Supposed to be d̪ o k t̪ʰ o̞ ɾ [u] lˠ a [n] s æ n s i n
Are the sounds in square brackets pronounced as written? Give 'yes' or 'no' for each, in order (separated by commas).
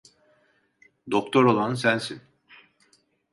no, yes